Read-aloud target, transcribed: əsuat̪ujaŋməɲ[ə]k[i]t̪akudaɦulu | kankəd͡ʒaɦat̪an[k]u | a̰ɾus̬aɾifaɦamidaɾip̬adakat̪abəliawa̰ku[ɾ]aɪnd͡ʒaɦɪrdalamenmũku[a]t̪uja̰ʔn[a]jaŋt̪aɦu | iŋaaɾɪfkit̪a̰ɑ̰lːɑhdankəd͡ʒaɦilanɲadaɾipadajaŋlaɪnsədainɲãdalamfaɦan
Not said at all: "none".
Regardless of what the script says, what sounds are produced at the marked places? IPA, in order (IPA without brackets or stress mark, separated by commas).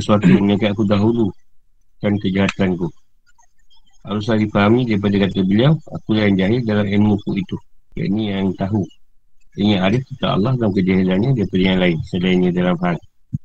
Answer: a, a, k, l, i, i